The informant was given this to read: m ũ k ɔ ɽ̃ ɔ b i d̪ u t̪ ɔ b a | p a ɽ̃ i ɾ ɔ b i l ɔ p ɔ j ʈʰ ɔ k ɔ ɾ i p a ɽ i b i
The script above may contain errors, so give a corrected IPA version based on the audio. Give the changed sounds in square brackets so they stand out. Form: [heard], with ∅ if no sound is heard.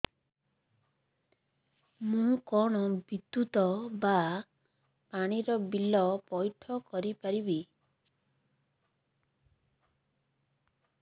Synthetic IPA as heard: m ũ k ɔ ɽ̃ ɔ b i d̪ u t̪ ɔ b a | p a ɽ̃ i ɾ ɔ b i l ɔ p ɔ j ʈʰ ɔ k ɔ ɾ i p a [ɾ] i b i